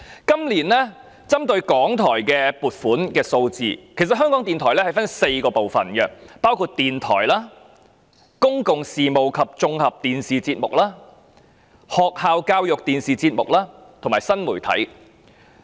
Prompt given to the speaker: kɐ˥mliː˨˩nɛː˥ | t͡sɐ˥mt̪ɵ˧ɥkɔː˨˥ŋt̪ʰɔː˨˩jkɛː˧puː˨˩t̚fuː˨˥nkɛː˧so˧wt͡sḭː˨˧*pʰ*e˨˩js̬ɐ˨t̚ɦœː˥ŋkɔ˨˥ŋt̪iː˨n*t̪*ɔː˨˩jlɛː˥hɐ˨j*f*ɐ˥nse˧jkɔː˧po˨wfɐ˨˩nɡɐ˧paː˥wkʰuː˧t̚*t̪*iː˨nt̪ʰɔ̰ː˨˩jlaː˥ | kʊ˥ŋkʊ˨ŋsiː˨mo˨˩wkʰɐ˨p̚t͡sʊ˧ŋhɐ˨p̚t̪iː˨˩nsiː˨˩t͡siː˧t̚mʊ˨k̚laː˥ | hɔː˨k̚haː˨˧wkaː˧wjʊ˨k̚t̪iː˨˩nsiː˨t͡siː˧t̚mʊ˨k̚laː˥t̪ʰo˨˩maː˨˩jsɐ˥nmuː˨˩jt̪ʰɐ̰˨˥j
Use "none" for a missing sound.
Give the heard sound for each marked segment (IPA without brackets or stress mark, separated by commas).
kʰ, t̪ʰ, f, t̪